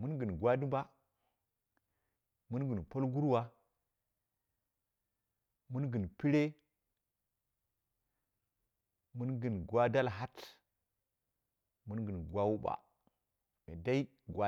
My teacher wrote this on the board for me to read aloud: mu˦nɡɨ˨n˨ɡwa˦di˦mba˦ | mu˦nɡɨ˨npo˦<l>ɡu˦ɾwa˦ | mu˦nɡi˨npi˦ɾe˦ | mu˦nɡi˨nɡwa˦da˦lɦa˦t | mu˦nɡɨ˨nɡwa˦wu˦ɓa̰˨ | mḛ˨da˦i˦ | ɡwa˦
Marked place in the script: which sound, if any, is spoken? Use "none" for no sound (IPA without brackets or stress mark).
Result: l